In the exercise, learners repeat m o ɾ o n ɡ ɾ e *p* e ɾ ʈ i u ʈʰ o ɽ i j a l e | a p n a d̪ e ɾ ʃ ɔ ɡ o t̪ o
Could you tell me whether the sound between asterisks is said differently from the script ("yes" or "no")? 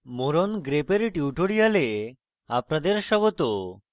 no